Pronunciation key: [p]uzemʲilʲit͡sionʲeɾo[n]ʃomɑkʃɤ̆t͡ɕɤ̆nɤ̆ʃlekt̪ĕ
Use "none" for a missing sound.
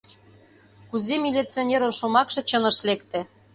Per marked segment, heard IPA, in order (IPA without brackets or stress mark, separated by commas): k, n